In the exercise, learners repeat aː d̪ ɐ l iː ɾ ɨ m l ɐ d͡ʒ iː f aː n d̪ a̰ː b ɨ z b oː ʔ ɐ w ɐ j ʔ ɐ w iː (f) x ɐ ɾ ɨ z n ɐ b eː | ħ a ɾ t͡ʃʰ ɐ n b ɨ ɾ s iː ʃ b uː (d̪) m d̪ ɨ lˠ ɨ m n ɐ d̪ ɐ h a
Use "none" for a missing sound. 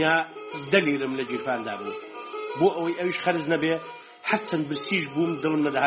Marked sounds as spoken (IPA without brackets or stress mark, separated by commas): ʃ, none